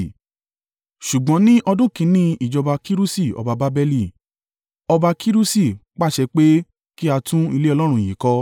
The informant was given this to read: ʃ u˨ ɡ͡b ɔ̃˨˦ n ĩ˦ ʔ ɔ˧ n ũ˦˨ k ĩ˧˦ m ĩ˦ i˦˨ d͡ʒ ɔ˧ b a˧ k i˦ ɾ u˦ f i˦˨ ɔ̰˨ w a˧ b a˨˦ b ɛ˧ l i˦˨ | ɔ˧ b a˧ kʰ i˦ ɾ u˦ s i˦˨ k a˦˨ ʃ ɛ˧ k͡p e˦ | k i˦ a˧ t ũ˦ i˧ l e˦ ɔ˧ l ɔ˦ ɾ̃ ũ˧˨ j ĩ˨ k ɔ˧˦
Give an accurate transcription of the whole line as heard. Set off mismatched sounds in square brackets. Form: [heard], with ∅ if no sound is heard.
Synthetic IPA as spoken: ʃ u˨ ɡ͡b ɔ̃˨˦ n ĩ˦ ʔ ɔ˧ [d] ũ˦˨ k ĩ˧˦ [n] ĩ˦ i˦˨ d͡ʒ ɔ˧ b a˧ k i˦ ɾ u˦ [s] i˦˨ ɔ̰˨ [b] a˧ b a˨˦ b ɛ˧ l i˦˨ | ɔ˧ b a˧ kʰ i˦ ɾ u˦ s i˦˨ [k͡p] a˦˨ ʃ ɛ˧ k͡p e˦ | k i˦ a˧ t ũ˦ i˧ l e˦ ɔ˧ l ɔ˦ ɾ̃ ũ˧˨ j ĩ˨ k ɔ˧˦